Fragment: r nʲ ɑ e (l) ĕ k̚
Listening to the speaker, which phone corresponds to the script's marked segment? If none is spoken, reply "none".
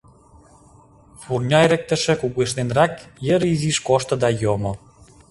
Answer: ɾ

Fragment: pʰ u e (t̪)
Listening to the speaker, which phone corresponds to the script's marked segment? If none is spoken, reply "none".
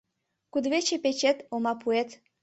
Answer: t̪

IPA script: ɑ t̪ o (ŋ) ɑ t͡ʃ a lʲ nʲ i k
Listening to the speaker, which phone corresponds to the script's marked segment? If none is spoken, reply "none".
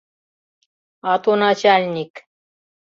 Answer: n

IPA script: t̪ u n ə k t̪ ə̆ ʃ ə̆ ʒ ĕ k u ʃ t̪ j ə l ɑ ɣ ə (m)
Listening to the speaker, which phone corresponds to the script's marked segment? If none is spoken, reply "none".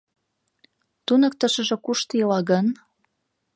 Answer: n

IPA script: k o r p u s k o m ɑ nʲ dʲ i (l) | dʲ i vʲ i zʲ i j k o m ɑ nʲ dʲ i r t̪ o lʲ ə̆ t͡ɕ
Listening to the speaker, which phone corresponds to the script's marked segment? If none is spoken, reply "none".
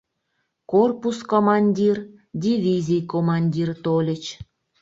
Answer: r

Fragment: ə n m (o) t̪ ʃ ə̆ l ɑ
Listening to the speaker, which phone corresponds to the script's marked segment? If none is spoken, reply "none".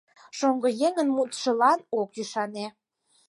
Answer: u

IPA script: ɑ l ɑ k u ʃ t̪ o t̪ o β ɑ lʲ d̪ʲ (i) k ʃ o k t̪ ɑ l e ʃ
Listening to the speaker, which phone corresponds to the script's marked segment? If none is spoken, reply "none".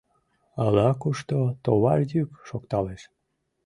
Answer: y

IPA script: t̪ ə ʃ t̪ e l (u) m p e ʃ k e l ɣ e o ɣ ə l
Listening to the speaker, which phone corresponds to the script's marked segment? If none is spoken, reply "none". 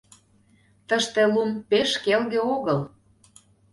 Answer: u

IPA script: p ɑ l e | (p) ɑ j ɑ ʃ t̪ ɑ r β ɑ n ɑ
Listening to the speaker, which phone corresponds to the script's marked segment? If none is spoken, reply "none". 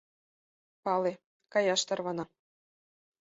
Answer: k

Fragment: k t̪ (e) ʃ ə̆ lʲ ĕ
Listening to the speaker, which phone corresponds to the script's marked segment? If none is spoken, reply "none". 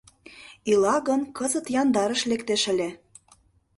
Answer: e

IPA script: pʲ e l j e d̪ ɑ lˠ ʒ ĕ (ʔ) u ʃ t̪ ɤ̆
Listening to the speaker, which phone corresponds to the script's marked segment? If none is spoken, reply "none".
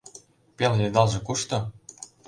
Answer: k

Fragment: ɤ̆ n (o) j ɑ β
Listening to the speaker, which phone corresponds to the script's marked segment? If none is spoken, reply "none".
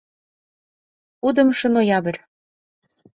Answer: o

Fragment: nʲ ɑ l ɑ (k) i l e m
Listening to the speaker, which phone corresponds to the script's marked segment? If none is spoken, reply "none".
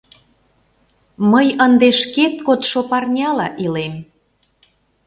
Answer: ʔ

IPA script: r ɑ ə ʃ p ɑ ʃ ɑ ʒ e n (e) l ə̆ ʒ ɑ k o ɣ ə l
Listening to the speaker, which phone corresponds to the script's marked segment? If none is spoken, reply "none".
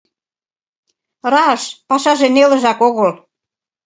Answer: e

